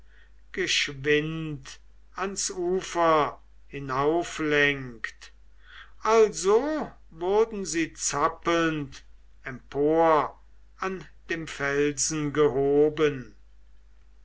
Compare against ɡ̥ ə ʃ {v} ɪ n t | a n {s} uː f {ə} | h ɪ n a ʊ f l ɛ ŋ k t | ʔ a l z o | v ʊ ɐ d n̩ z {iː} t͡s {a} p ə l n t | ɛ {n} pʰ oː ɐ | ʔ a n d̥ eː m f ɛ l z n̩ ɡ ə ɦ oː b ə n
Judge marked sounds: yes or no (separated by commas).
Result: yes, yes, no, yes, yes, no